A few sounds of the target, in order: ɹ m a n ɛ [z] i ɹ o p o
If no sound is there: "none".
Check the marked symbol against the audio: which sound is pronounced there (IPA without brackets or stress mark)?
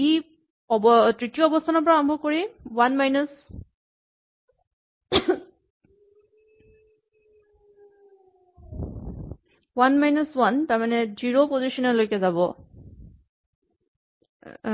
z